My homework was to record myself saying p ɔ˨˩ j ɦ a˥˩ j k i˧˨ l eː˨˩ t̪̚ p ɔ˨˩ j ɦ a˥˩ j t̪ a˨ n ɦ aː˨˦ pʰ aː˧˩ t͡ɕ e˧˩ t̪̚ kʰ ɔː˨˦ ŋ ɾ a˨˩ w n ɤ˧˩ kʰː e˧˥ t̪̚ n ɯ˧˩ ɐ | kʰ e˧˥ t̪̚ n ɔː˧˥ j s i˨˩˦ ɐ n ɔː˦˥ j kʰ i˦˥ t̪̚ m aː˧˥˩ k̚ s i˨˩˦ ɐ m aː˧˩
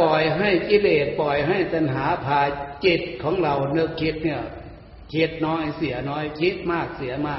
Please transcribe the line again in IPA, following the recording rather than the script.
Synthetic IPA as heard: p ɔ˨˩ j ɦ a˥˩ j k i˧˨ l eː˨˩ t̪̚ p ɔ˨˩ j ɦ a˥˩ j t̪ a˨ n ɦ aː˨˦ pʰ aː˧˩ t͡ɕ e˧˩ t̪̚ kʰ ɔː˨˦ ŋ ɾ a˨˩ w n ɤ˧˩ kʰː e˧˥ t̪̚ n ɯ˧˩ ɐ | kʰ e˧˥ t̪̚ n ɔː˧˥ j s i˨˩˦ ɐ n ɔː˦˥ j kʰ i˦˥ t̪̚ m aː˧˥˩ k̚ s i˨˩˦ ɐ m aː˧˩